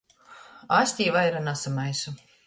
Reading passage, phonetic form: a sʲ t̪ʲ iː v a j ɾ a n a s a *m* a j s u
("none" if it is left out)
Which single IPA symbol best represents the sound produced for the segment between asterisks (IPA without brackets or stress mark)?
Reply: m